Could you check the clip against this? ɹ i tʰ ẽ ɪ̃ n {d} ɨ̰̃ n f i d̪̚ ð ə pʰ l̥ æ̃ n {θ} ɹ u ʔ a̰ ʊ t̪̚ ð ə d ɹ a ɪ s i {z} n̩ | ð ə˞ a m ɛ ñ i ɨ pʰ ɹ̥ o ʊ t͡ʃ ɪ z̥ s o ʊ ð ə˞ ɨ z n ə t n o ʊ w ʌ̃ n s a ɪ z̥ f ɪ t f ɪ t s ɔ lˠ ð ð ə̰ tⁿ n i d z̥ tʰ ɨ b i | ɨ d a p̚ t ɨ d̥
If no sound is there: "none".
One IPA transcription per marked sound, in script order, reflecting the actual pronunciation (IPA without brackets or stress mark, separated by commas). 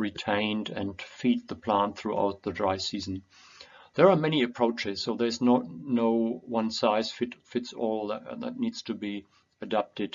d, θ, z